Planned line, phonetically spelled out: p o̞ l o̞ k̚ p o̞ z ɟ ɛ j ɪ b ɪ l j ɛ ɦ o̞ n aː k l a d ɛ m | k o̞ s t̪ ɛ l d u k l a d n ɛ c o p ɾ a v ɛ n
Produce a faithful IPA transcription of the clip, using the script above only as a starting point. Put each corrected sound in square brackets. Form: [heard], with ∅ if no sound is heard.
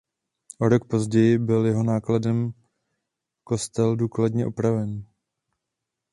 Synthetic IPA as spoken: [ʔ] o̞ [ɾ] o̞ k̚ p o̞ z ɟ ɛ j ɪ b ɪ l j ɛ ɦ o̞ n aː k l a d ɛ m | k o̞ s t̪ ɛ l d [uː] k l a d [ɲ] ɛ [ʔ] o p ɾ a v ɛ n